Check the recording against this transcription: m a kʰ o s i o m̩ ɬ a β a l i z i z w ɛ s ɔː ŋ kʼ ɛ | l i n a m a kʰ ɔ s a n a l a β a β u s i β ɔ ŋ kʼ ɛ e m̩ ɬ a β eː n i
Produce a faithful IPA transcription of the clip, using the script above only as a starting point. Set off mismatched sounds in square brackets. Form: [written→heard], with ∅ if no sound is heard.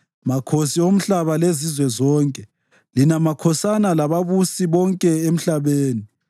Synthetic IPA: m a kʰ o s i o m̩ ɬ a β a l [i→e] z i z w ɛ [s→z] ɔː ŋ kʼ ɛ | l i n a m a kʰ ɔ s a n a l a β a β u s i β ɔ ŋ kʼ ɛ e m̩ ɬ a β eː n i